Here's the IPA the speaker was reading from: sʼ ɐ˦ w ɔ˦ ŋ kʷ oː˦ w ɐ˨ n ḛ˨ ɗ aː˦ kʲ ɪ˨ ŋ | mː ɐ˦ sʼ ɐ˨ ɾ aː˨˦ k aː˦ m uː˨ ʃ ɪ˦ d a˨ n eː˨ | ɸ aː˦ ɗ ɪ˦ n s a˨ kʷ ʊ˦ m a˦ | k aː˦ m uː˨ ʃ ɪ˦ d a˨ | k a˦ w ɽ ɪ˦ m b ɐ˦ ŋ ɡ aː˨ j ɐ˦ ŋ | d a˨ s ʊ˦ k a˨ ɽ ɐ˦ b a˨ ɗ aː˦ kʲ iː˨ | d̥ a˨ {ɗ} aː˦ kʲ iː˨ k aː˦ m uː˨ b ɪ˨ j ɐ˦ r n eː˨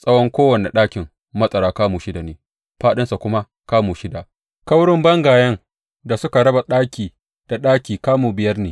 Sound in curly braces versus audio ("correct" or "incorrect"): correct